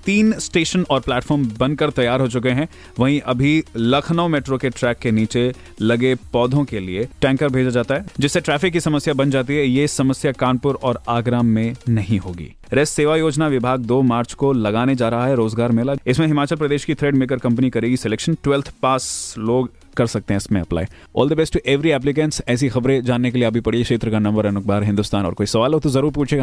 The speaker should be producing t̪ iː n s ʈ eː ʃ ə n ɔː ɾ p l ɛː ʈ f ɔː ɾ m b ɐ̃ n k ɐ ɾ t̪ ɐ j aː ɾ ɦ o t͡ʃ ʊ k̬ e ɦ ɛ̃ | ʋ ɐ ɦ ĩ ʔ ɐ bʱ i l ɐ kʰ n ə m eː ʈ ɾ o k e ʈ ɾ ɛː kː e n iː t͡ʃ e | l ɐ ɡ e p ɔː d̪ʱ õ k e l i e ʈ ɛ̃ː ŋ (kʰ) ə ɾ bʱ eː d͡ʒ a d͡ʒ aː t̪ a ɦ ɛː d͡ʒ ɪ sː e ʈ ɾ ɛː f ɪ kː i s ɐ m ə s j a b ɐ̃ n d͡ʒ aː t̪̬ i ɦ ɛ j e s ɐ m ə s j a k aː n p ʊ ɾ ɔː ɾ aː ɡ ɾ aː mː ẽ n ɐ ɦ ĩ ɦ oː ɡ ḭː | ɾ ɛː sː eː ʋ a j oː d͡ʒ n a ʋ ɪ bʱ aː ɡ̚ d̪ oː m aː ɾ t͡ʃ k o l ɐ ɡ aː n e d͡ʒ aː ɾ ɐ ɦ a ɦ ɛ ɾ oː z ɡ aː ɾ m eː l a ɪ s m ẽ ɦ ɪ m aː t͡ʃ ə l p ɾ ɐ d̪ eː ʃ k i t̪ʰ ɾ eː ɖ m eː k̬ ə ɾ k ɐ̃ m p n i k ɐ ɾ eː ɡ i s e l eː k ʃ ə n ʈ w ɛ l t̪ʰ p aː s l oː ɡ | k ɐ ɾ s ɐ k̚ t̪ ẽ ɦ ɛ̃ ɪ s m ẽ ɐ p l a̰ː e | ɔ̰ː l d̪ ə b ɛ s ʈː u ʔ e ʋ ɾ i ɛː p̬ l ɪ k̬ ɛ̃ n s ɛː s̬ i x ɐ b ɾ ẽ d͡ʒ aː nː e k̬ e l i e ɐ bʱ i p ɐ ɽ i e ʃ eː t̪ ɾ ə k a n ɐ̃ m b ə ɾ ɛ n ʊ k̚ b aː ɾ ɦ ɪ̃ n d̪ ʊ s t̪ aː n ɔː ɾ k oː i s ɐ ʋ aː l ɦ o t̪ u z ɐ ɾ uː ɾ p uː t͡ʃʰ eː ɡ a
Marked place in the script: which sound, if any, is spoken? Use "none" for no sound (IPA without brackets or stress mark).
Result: k